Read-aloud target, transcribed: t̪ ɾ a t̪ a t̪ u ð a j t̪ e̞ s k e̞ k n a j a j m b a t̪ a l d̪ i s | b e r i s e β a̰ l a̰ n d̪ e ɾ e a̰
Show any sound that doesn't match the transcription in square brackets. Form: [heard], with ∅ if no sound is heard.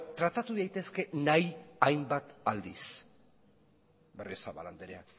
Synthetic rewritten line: t̪ ɾ a t̪ a t̪ u ð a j t̪ e̞ s k e̞ [∅] n a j a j m b a t̪ a l d̪ i s | b e r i s [a] β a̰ l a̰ n d̪ e ɾ e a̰